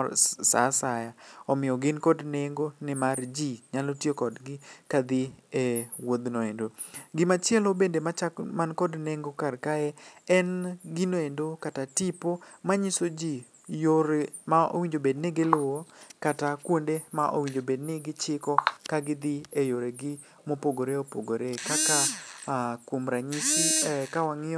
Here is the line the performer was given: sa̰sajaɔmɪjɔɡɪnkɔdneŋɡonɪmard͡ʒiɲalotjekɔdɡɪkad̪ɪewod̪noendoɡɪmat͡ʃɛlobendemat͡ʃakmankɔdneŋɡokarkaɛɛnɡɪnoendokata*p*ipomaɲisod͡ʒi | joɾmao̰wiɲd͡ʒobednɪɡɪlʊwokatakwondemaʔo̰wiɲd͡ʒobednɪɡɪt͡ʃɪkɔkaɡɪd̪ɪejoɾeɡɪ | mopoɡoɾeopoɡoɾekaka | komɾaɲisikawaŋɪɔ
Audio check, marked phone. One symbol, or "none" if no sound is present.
t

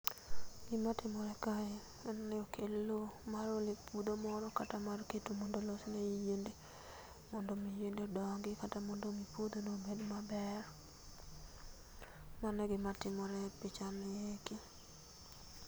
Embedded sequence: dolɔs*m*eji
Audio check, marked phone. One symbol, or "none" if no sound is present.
n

